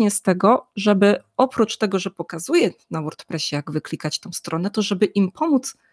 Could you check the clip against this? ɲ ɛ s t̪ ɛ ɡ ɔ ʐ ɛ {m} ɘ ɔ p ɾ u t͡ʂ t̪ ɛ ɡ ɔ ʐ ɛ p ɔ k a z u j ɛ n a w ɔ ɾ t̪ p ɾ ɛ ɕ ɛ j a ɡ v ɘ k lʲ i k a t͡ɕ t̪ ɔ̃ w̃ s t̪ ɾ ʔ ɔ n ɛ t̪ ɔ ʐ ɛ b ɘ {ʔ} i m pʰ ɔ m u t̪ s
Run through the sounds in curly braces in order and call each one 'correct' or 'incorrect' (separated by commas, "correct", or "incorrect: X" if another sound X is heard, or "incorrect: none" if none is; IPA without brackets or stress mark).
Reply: incorrect: b, correct